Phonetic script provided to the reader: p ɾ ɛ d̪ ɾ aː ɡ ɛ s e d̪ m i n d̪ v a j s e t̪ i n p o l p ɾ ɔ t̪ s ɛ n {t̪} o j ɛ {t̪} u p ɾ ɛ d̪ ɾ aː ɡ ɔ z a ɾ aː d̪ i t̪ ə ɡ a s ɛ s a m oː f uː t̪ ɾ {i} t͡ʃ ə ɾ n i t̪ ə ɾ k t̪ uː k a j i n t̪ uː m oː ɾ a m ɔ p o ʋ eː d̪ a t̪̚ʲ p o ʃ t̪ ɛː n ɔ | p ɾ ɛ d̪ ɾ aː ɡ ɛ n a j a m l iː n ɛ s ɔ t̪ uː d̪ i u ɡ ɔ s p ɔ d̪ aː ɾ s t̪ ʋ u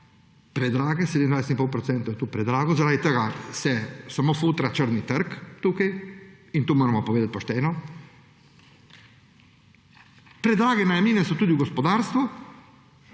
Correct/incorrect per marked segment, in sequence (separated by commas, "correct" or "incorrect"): correct, correct, incorrect